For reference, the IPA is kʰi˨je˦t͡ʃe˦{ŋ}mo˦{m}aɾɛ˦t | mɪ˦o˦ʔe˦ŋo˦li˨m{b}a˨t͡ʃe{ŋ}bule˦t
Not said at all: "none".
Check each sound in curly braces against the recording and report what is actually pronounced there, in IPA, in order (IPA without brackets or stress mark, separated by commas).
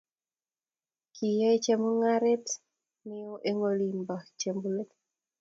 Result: none, ŋ, b, m